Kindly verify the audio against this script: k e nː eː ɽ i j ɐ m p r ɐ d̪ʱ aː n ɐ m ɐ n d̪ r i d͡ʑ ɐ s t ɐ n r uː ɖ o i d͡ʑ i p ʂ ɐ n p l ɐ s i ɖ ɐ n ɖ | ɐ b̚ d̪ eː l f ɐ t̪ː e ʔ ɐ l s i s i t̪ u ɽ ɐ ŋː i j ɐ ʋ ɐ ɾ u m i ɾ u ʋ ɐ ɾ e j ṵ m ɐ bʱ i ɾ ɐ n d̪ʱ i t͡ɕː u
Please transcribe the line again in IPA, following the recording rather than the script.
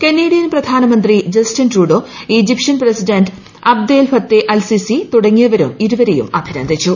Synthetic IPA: k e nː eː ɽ i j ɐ n p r ɐ d̪ʱ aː n ɐ m ɐ n d̪ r i d͡ʑ ɐ s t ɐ n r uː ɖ o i d͡ʑ i p ʂ ɐ n p r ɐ s i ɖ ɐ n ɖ | ɐ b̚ d̪ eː l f ɐ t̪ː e ʔ ɐ l s i s i t̪ u ɽ ɐ ŋː i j ɐ ʋ ɐ ɾ u m i ɾ u ʋ ɐ ɾ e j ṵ m ɐ bʱ i ɾ ɐ n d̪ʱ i t͡ɕː u

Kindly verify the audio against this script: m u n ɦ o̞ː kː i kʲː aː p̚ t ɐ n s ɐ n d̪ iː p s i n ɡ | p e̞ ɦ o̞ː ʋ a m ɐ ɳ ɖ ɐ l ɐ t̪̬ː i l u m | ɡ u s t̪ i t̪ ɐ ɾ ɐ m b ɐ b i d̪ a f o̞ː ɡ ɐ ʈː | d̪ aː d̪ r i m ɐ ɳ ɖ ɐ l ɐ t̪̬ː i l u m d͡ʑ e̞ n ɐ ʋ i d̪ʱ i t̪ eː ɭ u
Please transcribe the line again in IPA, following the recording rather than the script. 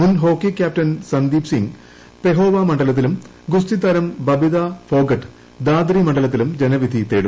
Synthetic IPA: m u n ɦ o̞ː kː i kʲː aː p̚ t ɐ n s ɐ n d̪ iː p s i ŋ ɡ | p e̞ ɦ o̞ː ʋ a m ɐ ɳ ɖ ɐ l ɐ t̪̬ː i l u m | ɡ u s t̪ i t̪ ɐ ɾ ɐ m b ɐ b i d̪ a f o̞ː ɡ ɐ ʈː | d̪ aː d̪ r i m ɐ ɳ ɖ ɐ l ɐ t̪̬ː i l u m d͡ʑ e̞ n ɐ ʋ i d̪ʱ i t̪ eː ɽ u

